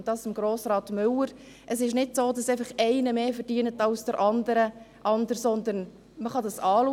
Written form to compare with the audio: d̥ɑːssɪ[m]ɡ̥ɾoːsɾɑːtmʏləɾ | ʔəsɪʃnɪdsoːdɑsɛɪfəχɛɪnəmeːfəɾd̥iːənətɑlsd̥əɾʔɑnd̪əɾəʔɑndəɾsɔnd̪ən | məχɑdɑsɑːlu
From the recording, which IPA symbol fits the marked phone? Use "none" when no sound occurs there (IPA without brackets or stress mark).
m